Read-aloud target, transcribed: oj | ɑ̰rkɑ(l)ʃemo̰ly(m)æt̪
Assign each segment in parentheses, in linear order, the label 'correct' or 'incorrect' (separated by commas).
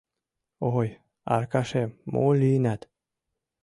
incorrect, incorrect